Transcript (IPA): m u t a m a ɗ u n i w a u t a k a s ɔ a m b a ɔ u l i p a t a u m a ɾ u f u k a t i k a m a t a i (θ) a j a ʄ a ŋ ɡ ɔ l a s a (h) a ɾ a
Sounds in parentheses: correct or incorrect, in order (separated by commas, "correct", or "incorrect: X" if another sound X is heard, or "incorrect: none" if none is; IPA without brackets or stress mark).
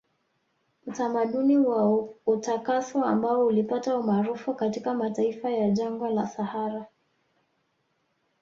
incorrect: f, correct